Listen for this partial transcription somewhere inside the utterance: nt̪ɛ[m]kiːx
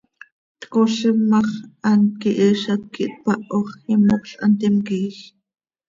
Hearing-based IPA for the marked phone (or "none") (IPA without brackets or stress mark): m